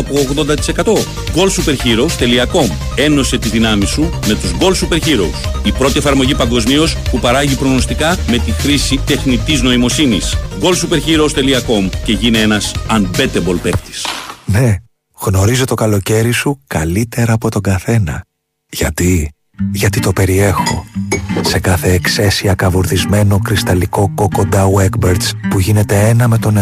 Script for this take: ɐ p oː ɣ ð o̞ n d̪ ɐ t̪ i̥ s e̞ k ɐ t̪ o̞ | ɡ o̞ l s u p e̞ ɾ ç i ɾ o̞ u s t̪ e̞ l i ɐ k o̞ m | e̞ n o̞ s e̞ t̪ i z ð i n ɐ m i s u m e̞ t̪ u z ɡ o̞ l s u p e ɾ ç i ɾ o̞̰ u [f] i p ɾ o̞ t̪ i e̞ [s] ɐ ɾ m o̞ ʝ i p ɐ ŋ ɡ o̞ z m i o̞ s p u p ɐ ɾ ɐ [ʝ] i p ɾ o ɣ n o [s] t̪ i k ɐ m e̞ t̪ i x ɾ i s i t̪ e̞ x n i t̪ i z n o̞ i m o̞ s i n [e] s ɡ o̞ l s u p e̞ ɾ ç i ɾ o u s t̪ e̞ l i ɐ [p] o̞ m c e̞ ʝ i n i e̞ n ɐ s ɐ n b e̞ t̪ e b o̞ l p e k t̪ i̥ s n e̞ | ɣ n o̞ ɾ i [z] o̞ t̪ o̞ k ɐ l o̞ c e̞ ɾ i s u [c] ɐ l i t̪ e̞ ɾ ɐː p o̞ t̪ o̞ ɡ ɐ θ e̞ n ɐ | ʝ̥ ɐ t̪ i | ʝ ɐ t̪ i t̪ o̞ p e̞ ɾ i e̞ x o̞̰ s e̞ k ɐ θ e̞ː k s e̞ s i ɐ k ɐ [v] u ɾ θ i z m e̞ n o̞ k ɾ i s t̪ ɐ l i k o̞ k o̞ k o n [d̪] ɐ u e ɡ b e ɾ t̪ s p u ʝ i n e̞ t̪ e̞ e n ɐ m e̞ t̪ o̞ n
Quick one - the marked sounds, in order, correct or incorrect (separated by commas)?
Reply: incorrect, incorrect, correct, correct, incorrect, incorrect, correct, incorrect, correct, correct